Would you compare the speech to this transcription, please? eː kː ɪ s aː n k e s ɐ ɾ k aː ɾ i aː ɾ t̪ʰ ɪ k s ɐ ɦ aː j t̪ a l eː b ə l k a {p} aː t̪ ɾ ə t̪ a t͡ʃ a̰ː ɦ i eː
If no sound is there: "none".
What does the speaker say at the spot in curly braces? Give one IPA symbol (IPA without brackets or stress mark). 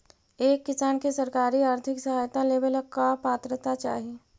p